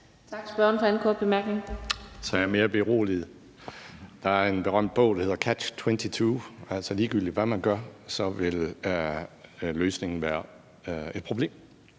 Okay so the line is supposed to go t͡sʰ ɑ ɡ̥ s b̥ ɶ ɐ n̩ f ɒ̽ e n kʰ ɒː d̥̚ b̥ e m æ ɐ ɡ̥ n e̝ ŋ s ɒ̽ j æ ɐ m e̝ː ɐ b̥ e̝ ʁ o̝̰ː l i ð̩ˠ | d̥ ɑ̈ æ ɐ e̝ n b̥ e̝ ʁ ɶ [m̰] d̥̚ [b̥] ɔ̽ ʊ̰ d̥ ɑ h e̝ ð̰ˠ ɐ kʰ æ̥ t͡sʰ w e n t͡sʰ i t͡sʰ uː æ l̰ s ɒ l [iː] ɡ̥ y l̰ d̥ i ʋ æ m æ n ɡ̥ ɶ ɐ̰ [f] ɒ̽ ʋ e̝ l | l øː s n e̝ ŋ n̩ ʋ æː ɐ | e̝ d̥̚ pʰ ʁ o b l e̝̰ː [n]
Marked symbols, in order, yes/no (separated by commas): yes, yes, yes, no, no